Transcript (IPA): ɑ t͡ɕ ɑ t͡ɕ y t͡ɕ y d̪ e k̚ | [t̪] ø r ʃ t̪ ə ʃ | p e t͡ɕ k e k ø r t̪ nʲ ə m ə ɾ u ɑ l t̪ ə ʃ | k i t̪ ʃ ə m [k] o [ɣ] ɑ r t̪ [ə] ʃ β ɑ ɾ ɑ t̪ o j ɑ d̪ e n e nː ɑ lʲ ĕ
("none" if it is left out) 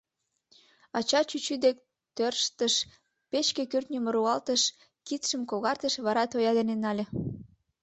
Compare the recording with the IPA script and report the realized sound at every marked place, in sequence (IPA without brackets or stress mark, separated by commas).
t̪, k, ɣ, ə